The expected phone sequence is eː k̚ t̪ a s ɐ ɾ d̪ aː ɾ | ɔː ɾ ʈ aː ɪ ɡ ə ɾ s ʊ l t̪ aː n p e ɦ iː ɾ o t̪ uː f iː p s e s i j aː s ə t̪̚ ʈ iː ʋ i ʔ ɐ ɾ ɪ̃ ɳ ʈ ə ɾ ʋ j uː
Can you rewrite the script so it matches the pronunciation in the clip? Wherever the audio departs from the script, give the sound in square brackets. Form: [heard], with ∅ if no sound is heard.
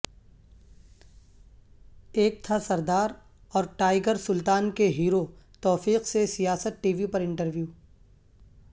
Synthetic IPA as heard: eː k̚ [t̪ʰ] a s ɐ ɾ d̪ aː ɾ | ɔː ɾ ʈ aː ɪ ɡ ə ɾ s ʊ l t̪ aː n [k] e ɦ iː ɾ o t̪ [ɔː] f iː [q] s e s i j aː s ə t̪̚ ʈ iː ʋ i [p] ɐ ɾ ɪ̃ ɳ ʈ ə ɾ ʋ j uː